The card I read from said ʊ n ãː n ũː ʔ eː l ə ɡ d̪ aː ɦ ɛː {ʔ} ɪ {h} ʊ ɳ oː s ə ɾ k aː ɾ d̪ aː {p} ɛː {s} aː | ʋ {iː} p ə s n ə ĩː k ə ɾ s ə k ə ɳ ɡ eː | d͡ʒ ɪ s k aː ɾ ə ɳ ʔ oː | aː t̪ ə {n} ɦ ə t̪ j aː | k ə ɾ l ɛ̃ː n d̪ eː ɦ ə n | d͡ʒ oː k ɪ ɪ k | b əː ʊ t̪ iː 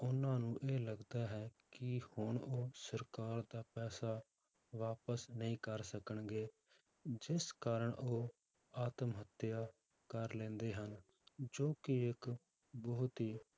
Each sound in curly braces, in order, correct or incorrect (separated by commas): incorrect, correct, correct, correct, incorrect, incorrect